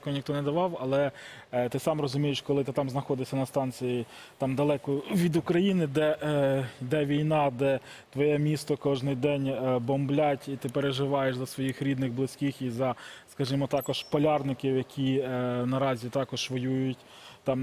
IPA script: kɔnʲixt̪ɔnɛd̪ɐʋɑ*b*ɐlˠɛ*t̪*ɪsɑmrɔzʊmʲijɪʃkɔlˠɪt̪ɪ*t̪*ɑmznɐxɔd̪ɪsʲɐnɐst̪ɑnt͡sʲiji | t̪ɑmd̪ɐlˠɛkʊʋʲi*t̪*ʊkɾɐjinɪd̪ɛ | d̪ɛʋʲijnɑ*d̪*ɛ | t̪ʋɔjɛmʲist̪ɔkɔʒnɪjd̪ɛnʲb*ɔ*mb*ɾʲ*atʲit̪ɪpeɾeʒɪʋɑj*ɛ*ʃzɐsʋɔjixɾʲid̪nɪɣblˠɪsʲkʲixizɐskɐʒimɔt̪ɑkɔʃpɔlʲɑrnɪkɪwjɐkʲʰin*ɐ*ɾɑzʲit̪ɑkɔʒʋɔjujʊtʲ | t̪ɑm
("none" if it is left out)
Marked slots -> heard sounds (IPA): w, t̪, t̪, d̪, d̪, ɔ, lʲ, e, ɐ

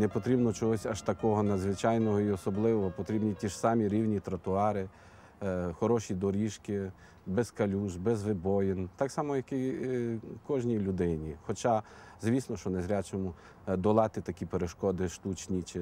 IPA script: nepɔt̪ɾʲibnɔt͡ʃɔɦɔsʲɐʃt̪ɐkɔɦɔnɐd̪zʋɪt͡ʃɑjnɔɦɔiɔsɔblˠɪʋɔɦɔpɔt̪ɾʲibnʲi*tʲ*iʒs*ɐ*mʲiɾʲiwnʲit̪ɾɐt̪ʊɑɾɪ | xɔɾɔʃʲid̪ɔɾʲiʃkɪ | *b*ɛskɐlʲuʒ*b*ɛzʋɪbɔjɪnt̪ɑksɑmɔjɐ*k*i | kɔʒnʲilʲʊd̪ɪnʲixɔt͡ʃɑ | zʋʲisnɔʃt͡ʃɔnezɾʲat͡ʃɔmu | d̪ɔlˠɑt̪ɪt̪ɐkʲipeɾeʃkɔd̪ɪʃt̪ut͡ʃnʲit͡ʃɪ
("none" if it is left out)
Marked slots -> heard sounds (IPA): tʲ, ɑ, b, b, k

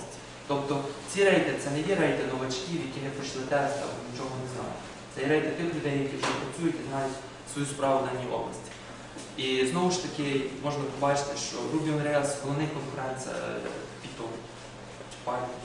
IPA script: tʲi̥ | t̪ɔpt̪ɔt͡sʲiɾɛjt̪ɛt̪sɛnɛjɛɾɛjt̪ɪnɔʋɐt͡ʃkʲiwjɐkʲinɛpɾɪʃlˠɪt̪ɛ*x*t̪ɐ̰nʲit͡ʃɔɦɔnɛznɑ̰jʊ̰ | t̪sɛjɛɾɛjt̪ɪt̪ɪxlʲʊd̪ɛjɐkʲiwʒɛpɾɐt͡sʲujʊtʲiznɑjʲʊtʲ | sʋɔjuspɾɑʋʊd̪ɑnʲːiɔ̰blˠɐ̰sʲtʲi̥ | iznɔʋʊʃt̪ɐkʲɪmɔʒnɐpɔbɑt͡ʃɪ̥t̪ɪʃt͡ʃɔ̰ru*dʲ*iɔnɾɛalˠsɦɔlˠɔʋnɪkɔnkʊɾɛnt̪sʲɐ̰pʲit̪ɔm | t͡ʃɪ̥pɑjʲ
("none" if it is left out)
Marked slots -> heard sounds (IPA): s, bʲ

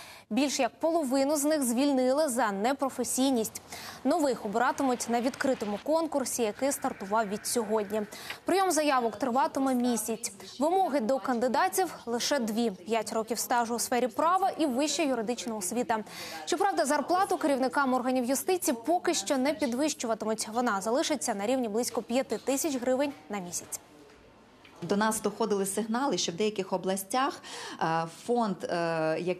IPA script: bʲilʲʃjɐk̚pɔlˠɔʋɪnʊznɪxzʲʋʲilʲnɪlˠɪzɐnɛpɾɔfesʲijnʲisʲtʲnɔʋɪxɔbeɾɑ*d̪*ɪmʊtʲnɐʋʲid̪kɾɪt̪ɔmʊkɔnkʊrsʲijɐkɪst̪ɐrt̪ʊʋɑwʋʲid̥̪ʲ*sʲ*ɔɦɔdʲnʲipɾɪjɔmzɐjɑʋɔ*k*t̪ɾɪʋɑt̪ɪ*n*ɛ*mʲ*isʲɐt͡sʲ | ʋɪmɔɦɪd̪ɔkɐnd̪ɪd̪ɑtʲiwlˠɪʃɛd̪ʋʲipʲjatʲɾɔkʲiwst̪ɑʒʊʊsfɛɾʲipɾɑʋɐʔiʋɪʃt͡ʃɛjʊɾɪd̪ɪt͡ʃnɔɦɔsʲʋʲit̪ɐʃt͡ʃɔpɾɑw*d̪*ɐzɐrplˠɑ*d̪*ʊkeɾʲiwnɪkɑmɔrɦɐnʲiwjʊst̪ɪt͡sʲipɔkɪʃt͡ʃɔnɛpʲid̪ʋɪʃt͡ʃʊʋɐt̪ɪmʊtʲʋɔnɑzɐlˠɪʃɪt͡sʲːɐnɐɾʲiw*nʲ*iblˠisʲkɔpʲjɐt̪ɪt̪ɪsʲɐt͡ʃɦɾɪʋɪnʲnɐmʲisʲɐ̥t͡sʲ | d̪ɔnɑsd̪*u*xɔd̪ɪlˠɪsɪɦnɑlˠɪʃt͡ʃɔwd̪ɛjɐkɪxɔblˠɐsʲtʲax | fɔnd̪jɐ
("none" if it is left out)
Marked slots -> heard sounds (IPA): t̪, sʲ, k, m, mʲ, d̪, t̪, nʲ, ɔ

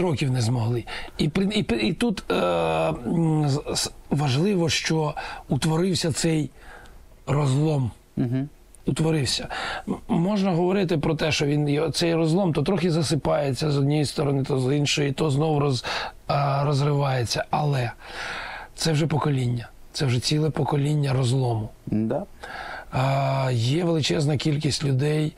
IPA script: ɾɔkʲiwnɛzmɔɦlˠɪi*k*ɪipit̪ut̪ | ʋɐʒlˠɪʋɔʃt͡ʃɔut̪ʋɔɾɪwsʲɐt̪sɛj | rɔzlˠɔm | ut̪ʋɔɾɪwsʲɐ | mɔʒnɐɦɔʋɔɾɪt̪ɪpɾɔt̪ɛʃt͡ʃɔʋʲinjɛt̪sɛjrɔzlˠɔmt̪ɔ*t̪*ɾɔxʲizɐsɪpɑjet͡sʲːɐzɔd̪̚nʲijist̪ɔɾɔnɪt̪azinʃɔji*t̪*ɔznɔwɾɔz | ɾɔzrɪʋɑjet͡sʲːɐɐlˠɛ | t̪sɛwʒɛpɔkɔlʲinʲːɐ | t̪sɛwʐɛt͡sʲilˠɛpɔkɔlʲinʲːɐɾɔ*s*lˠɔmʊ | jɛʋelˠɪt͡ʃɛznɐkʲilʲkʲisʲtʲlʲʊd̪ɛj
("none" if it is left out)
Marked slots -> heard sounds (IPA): p, t̪, t̪, z

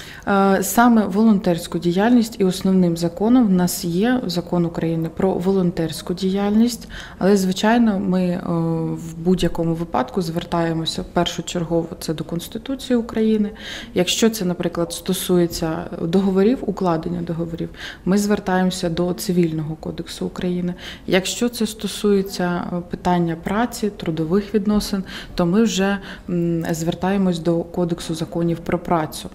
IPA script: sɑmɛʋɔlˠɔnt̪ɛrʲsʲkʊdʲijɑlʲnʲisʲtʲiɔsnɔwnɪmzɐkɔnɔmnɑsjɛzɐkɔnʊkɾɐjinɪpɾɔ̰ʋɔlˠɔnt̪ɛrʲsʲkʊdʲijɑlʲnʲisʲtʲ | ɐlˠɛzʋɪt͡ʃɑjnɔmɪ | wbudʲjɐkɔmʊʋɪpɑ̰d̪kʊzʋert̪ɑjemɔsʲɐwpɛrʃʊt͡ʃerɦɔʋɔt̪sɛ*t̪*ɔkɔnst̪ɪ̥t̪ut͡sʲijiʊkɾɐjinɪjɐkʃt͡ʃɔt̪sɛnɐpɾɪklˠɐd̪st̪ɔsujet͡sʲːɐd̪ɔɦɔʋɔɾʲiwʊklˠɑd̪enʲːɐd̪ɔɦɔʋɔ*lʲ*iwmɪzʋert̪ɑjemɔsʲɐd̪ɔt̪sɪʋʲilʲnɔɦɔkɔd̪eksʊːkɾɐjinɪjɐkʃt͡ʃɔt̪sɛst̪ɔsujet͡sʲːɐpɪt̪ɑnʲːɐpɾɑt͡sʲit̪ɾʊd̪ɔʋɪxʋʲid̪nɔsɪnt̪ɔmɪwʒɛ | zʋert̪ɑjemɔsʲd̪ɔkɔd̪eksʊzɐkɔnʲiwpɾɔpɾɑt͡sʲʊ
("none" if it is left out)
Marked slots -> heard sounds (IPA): d̪, ɾʲ

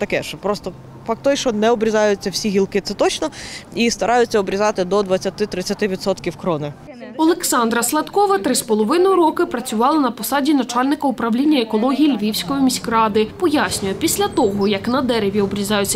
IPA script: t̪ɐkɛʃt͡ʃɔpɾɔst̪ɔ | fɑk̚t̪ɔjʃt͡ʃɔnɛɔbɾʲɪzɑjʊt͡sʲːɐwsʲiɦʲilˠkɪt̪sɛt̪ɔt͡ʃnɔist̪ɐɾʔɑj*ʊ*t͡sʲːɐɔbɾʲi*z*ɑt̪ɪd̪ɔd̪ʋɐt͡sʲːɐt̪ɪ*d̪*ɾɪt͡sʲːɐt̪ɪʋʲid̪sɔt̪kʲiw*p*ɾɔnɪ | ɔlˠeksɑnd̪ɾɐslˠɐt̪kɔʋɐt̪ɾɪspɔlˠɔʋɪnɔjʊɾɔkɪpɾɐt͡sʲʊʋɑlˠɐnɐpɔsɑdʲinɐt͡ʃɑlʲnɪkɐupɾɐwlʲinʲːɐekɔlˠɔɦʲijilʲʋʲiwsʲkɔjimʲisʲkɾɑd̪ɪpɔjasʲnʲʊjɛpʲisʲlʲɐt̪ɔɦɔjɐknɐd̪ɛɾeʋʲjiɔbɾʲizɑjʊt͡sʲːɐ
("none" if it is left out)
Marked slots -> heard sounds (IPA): ʊ, z, t̪, k

